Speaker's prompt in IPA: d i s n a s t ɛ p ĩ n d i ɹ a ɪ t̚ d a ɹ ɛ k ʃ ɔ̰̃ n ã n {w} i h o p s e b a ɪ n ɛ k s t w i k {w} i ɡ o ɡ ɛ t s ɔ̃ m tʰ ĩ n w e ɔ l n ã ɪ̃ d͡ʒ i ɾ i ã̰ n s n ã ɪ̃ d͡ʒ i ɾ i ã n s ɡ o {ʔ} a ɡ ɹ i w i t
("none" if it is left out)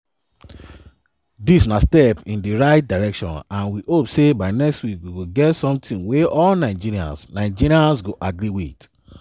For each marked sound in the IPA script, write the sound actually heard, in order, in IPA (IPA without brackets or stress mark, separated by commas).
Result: w, w, ʔ